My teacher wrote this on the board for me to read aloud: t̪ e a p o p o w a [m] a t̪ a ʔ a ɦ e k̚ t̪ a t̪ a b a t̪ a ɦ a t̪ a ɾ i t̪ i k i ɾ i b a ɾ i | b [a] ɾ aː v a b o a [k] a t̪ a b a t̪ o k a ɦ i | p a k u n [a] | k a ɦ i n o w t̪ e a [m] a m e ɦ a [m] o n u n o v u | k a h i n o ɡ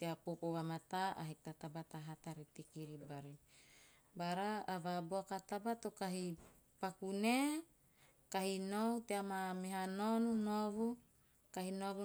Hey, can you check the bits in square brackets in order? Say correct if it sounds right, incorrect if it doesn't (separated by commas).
correct, correct, correct, incorrect, correct, incorrect